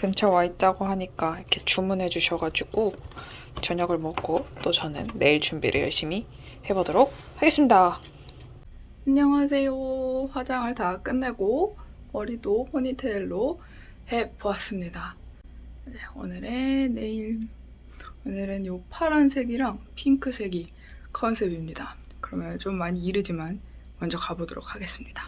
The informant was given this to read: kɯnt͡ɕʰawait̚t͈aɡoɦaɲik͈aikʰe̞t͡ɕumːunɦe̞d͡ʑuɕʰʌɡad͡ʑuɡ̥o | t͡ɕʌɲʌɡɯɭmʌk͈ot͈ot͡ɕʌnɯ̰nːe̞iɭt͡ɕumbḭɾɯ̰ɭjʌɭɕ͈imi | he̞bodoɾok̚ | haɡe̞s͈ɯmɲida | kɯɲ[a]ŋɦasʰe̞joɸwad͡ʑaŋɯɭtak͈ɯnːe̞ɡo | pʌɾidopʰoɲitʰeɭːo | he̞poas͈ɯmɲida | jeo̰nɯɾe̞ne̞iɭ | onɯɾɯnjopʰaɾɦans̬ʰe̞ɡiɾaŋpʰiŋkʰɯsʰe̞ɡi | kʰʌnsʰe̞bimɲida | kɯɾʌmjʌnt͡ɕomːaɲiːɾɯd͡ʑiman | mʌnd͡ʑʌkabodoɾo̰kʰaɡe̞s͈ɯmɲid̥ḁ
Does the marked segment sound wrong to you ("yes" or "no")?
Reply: yes